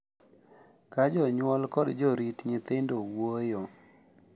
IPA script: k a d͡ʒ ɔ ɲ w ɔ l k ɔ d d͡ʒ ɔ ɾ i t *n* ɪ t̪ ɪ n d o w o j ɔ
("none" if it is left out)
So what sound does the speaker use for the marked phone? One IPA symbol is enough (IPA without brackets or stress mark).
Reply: ɲ